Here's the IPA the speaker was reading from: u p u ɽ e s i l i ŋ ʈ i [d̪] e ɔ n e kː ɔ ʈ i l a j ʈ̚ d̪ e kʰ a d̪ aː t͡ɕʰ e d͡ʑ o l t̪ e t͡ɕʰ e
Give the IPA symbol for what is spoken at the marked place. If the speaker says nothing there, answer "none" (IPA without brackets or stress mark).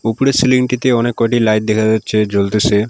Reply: t̪